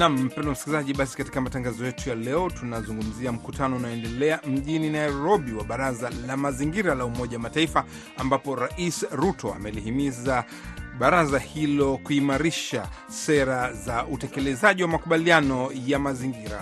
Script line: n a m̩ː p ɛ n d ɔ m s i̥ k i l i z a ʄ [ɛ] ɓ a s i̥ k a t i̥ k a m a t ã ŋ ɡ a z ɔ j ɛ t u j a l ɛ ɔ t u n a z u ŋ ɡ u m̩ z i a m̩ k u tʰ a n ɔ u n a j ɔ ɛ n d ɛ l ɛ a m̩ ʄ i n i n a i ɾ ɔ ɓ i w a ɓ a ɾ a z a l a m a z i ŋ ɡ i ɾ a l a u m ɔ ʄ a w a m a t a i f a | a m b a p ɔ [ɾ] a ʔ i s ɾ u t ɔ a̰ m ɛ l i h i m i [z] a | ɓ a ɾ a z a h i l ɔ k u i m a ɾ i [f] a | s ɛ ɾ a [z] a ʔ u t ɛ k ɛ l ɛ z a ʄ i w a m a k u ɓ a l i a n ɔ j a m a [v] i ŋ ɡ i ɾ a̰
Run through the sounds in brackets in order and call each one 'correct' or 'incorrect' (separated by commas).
incorrect, correct, correct, incorrect, correct, incorrect